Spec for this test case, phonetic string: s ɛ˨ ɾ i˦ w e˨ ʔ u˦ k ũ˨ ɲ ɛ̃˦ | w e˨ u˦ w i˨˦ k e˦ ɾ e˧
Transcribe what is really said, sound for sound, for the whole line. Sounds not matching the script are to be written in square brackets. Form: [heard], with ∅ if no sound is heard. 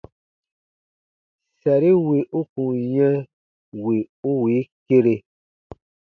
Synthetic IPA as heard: s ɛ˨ ɾ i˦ w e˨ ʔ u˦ k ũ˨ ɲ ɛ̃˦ | w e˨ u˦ w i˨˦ k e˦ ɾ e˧